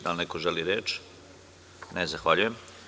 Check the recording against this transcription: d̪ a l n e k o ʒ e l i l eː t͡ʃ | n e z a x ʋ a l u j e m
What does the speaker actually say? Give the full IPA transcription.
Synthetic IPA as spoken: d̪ a l n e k o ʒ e l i ɾ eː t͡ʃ | n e z a x ʋ a ʎ u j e m